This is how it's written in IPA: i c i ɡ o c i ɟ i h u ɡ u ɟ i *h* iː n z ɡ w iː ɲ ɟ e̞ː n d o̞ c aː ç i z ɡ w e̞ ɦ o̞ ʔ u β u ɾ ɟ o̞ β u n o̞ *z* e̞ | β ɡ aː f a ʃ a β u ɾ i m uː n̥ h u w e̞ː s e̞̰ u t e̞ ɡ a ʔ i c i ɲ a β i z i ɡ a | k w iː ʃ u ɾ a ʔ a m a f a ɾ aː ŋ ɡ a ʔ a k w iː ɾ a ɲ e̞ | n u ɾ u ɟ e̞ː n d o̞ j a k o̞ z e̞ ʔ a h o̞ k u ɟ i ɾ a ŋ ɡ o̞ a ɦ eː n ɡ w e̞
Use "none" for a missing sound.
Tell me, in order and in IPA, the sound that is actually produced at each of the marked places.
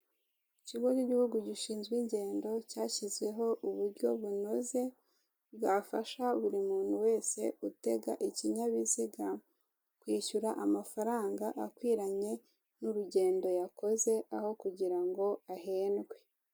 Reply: ʃ, z

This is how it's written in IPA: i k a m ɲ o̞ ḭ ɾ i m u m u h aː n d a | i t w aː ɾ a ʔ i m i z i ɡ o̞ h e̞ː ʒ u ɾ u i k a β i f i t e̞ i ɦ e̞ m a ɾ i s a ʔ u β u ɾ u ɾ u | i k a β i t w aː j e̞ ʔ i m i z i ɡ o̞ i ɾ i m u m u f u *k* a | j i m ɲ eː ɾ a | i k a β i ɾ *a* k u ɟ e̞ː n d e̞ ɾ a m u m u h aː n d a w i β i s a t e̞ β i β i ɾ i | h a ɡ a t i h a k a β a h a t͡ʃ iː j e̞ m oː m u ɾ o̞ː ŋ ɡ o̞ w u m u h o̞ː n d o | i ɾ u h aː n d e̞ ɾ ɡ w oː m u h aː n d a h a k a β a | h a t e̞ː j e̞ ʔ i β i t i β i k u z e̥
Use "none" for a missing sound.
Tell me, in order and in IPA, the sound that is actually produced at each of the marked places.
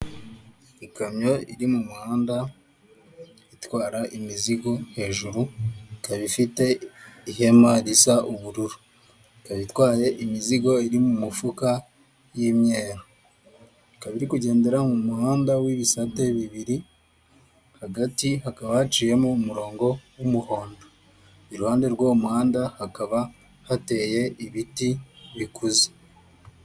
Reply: k, i

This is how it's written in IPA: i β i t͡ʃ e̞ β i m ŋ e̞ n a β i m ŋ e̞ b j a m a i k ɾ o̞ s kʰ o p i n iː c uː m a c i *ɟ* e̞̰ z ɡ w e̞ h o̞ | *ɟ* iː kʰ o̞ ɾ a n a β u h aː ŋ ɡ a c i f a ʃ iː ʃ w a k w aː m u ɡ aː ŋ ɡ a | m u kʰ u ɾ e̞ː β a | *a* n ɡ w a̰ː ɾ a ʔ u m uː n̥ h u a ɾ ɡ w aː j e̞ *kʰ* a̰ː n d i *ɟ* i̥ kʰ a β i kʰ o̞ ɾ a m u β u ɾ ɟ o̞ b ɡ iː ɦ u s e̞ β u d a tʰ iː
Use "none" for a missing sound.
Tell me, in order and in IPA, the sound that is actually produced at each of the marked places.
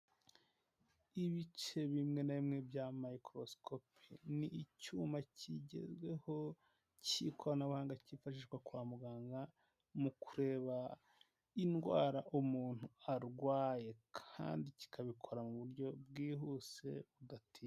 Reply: ɟ, c, i, kʰ, c

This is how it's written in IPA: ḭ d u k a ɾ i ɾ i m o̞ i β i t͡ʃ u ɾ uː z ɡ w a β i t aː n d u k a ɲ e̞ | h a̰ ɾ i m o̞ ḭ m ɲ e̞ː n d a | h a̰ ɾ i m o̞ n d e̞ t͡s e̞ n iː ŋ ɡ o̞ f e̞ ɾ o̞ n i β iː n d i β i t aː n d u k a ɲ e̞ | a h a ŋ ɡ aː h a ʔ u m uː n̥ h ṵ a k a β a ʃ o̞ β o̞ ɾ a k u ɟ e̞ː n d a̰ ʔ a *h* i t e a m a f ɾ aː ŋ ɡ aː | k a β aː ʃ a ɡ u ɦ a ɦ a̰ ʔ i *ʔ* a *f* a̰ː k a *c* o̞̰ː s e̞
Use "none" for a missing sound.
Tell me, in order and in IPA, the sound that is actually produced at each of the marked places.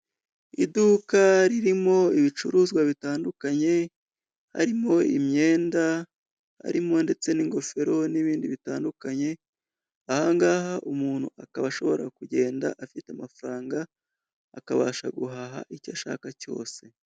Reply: f, c, ʃ, c

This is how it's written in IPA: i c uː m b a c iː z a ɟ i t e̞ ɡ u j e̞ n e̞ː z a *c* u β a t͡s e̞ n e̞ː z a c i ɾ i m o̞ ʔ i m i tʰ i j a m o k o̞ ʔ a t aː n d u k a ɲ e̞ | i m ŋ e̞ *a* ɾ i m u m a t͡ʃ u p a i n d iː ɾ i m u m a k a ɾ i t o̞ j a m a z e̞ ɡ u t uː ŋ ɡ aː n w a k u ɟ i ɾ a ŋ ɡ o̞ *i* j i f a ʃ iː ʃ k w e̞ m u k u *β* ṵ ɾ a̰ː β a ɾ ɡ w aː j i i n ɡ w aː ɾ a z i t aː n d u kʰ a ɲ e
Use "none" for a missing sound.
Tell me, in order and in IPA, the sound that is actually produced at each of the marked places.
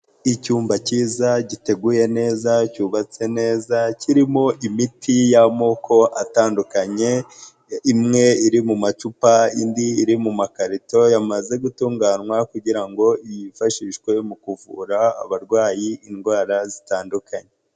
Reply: c, i, i, v

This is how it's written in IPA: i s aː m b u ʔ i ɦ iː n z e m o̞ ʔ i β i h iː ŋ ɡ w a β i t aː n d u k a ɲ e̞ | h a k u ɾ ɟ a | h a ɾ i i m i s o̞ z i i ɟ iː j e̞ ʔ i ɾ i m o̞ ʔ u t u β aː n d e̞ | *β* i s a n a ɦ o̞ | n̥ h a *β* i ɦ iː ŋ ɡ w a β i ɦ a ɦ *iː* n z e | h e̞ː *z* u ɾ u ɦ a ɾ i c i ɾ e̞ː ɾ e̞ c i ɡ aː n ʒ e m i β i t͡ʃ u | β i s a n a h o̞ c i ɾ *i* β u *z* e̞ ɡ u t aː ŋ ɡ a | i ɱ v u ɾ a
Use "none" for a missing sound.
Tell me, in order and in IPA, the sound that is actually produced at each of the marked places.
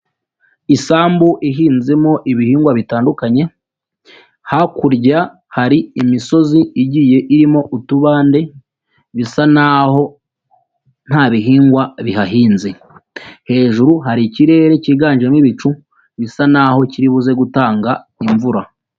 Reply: β, β, iː, ʒ, i, z

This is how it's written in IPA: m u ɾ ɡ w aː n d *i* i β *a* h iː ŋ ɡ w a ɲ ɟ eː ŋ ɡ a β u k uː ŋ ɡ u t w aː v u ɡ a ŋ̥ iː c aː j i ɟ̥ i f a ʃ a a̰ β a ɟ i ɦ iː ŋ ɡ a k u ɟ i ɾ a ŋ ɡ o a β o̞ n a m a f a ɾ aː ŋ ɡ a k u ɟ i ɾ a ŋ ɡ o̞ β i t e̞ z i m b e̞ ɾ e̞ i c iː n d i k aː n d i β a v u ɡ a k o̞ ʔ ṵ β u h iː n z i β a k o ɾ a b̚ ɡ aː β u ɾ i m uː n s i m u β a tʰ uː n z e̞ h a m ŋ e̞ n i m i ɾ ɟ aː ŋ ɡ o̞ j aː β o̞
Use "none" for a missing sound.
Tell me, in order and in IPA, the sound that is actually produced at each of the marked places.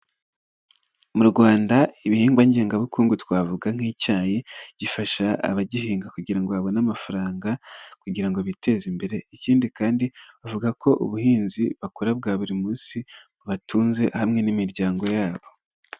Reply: a, i

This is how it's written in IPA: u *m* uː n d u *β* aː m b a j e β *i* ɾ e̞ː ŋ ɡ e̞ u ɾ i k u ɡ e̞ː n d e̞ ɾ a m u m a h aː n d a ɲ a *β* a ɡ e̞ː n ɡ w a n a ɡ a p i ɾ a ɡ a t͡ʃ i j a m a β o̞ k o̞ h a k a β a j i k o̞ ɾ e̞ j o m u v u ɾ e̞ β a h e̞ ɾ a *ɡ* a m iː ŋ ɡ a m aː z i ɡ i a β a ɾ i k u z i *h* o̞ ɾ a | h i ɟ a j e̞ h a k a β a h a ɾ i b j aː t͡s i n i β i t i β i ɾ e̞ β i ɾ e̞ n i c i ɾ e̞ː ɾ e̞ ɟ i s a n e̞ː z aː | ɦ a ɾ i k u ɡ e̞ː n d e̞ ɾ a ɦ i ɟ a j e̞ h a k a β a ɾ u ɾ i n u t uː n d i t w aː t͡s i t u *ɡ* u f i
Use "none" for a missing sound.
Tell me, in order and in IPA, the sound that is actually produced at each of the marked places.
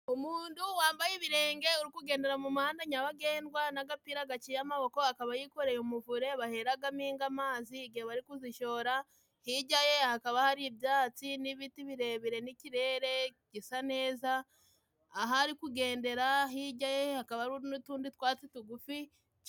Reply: m, w, i, β, ɡ, ʃ, ɡ

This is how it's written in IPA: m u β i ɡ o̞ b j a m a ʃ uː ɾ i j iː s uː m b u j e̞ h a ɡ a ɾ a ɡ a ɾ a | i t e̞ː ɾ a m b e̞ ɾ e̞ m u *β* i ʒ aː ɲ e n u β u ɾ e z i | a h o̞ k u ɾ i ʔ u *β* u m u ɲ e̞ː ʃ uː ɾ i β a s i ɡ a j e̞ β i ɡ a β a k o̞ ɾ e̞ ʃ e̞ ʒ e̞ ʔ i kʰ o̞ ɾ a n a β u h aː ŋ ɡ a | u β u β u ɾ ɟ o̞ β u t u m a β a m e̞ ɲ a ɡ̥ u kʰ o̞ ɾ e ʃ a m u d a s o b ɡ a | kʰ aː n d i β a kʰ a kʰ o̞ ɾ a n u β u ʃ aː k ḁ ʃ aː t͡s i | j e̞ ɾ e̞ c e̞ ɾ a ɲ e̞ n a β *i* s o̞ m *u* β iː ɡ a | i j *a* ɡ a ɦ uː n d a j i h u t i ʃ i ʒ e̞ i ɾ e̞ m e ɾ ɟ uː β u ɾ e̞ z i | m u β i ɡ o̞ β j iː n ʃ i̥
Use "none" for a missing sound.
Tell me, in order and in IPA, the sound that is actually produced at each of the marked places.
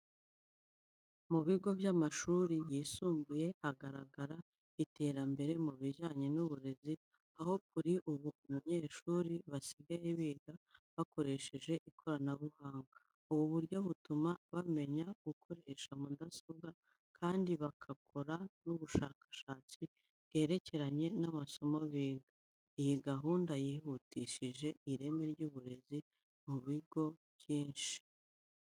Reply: β, β, a, o, i

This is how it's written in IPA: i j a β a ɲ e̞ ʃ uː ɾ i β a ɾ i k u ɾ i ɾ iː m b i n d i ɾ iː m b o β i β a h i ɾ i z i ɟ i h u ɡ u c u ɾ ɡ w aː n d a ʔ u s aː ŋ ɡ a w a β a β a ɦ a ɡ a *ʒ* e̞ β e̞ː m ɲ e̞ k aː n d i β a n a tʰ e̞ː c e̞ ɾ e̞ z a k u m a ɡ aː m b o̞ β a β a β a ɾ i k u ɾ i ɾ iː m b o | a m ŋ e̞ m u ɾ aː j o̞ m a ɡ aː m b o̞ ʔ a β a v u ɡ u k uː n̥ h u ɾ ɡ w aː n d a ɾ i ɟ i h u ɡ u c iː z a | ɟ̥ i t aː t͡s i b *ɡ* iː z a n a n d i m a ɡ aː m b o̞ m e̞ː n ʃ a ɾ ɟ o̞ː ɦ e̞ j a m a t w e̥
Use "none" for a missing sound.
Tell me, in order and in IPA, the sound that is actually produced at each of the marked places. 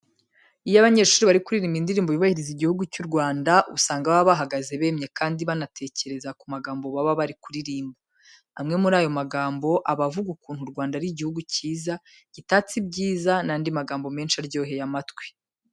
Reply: z, ɟ

